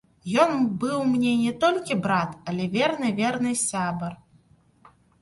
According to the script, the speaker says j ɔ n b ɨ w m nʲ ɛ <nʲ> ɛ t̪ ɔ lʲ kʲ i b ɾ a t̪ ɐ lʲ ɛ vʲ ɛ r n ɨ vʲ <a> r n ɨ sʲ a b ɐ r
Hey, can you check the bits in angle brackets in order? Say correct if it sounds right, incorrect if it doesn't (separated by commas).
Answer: correct, incorrect